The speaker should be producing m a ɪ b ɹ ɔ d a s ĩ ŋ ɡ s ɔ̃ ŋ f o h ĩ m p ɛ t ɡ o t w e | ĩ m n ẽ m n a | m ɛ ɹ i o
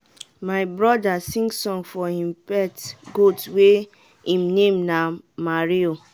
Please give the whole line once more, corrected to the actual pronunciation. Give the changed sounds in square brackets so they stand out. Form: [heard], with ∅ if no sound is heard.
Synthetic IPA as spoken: m a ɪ b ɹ ɔ d a s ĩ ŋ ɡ s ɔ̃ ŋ f [ɔ] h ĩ m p ɛ t ɡ o t w e | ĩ m n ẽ m n a | m [a] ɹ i o